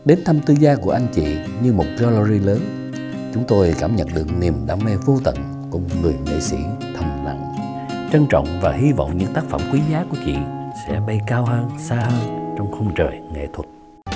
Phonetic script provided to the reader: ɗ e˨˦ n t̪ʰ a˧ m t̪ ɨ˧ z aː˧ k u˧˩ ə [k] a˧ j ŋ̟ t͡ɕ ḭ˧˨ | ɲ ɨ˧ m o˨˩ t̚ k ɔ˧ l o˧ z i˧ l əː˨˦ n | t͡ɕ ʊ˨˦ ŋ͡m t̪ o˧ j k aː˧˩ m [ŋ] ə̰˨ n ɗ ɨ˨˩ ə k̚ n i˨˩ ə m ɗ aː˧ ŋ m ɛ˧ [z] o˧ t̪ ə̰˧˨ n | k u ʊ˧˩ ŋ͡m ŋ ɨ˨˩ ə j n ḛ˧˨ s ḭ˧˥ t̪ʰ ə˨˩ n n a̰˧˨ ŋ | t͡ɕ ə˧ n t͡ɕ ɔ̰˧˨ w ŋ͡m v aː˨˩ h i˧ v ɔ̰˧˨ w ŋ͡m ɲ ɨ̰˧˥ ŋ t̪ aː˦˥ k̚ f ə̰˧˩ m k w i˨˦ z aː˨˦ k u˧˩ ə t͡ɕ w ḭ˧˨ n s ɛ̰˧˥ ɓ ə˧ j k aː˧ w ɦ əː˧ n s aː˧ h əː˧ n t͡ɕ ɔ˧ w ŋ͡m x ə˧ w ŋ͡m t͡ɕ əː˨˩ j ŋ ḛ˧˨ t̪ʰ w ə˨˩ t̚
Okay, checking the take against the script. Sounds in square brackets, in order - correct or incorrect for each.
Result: incorrect, incorrect, incorrect

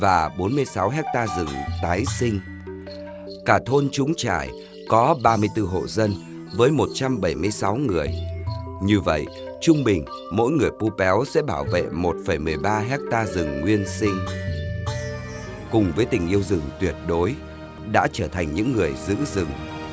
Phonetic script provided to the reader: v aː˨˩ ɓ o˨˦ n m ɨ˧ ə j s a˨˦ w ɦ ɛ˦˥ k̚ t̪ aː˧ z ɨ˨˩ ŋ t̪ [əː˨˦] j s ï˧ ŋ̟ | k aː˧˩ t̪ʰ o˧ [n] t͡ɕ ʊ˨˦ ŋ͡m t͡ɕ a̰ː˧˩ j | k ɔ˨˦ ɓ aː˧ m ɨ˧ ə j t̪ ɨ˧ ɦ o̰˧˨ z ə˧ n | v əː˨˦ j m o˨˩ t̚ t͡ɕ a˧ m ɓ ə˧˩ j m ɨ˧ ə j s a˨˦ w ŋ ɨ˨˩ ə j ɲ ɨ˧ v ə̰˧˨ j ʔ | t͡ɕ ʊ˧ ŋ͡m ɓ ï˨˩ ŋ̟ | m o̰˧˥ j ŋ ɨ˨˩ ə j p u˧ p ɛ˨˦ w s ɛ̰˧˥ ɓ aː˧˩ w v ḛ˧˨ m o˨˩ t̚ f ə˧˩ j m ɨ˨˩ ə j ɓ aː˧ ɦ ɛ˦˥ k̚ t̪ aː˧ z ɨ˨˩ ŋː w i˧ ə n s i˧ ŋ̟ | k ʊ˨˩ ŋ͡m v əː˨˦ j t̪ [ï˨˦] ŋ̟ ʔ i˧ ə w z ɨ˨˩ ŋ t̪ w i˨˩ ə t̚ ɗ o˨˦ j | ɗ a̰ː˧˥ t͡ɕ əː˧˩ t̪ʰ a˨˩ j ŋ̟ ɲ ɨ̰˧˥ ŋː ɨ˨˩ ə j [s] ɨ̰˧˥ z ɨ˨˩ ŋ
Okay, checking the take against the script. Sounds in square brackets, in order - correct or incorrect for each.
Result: incorrect, correct, incorrect, incorrect

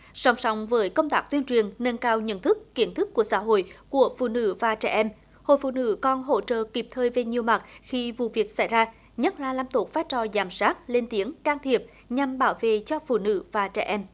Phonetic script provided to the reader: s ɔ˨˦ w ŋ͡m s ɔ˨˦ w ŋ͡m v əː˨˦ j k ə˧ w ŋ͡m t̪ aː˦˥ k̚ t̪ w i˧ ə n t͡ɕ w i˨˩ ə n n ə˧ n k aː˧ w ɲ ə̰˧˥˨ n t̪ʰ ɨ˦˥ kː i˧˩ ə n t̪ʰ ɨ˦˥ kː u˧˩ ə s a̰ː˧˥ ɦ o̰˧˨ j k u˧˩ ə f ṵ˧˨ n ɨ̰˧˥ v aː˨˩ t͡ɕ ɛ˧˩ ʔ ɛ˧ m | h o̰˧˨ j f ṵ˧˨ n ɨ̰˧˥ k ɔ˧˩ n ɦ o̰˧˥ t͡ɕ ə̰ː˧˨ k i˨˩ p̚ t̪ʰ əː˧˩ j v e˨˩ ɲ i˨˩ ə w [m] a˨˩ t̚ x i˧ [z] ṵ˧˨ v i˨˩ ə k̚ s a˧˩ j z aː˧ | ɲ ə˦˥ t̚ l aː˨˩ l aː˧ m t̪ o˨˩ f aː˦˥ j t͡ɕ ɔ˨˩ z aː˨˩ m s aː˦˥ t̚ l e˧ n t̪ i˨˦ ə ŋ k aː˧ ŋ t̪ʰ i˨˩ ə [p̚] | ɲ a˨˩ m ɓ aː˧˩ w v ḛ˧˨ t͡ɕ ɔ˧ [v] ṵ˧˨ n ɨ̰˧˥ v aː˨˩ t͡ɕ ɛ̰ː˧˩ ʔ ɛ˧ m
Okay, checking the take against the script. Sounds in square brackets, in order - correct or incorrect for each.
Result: correct, incorrect, correct, incorrect

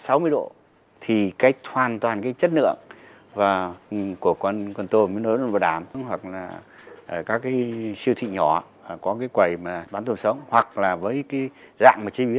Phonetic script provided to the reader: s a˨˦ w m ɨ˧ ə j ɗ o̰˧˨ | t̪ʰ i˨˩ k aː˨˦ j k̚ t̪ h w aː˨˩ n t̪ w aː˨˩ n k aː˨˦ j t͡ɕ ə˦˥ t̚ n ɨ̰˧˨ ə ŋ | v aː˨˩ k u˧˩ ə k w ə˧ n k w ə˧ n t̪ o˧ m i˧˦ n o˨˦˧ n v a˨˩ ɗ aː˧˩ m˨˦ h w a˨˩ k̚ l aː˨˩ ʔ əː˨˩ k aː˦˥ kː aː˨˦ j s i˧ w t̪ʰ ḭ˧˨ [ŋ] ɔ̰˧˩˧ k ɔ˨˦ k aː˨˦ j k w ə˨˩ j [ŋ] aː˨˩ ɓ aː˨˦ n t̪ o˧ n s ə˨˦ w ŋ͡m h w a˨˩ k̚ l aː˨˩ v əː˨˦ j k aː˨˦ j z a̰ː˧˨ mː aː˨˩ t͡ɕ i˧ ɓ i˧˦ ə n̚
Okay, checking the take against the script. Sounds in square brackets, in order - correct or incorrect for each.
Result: incorrect, incorrect

